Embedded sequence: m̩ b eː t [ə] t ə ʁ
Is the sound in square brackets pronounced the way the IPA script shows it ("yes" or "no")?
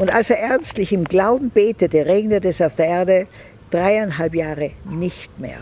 yes